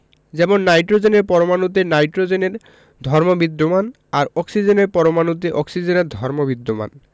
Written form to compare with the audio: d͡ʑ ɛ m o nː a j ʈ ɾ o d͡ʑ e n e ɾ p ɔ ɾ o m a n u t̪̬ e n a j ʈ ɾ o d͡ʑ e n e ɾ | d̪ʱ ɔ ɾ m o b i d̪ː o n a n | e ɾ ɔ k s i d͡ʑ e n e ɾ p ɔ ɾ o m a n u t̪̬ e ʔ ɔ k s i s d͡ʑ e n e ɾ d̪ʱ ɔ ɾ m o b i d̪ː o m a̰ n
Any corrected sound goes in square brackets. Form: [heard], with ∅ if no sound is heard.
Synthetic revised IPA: d͡ʑ ɛ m o nː a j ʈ ɾ o d͡ʑ e n e ɾ p ɔ ɾ o m a n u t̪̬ e n a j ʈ ɾ o d͡ʑ e n e ɾ | d̪ʱ ɔ ɾ m o b i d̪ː o [m] a n | [a] ɾ ɔ k s i d͡ʑ e n e ɾ p ɔ ɾ o m a n u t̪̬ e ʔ ɔ k s i [∅] d͡ʑ e n e ɾ d̪ʱ ɔ ɾ m o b i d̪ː o m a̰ n